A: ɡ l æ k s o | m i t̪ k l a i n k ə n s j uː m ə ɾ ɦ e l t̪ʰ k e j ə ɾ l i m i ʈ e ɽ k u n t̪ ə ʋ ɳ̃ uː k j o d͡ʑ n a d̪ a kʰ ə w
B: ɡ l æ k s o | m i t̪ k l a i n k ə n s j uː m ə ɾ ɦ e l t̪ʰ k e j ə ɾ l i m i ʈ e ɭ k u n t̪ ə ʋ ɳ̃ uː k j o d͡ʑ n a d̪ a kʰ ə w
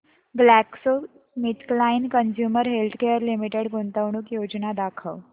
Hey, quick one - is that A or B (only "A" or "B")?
A